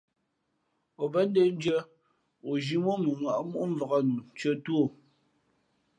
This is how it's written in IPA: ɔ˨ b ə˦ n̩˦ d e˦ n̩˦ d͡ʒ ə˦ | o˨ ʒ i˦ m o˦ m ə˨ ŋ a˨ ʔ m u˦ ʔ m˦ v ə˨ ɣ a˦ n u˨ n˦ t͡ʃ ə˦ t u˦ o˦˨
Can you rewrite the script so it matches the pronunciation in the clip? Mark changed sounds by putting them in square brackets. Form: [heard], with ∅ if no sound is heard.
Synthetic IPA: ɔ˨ b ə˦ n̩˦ d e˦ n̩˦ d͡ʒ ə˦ | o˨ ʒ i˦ m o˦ m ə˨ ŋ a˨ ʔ m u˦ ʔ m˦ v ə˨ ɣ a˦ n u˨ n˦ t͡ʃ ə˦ t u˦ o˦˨